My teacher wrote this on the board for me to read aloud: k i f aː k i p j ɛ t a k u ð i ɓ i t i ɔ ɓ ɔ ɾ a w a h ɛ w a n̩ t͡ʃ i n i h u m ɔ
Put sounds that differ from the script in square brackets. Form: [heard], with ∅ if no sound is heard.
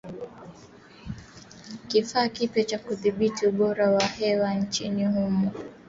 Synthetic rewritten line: k i f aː k i p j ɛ [t͡ʃ] a k u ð i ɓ i t i [u] ɓ ɔ ɾ a w a h ɛ w a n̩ t͡ʃ i n i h u m ɔ